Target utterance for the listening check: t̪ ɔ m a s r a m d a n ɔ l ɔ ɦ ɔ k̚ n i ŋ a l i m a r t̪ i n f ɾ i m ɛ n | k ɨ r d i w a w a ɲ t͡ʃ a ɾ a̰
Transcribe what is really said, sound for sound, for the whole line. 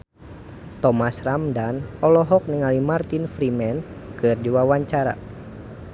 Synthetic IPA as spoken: t̪ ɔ m a s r a m d a n ɔ l ɔ ɦ ɔ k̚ n i ŋ a l i m a r t̪ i n f ɾ i m ɛ n | k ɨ r d i w a w a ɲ t͡ʃ a ɾ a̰